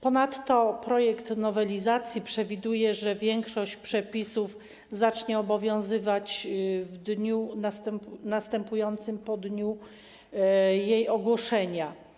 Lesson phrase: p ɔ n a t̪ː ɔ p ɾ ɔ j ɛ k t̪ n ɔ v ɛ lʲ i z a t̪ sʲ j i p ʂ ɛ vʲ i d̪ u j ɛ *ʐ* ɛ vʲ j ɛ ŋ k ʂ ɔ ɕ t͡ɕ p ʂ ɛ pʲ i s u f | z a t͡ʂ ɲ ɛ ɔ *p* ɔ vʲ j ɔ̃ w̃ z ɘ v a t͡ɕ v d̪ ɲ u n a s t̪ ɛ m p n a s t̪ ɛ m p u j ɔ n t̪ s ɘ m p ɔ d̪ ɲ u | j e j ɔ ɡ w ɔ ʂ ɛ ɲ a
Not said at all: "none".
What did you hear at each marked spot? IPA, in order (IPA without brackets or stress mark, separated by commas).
ʐ, b